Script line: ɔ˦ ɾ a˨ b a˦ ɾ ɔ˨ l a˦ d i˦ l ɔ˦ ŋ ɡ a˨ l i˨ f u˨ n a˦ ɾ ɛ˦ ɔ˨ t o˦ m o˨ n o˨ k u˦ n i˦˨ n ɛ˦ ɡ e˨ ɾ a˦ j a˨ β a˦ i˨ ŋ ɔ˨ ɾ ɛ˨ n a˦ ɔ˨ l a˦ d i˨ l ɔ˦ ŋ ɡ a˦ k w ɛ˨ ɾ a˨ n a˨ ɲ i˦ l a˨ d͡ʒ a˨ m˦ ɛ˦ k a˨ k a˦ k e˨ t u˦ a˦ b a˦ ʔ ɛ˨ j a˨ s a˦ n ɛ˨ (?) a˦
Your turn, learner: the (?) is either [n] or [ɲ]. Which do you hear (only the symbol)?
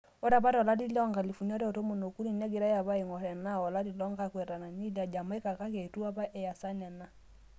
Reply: n